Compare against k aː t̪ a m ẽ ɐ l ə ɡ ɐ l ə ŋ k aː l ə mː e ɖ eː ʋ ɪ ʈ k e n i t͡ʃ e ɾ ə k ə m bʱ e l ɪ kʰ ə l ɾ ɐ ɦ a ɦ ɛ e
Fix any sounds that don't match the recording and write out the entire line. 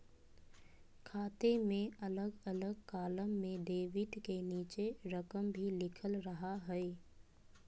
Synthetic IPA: kʰ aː t̪ e m ẽ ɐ l ə ɡ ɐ l ə ɡ k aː l ə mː ẽ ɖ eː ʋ ɪ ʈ k e n iː t͡ʃ e ɾ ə k ə m bʱ i l ɪ kʰ ə l ɾ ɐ ɦ a ɦ ɛ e